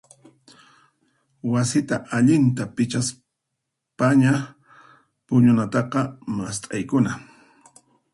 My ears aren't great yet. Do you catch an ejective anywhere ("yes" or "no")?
yes